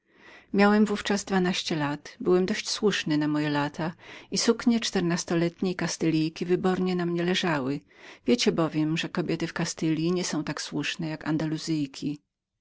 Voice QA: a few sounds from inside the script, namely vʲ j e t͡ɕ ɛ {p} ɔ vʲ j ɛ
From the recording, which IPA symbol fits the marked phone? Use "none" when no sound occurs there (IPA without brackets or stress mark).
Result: b